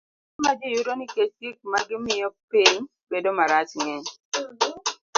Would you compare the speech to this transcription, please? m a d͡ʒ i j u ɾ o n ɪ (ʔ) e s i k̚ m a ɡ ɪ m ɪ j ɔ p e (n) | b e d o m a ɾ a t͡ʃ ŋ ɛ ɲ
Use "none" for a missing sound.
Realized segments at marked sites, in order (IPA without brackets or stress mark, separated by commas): k, ɲ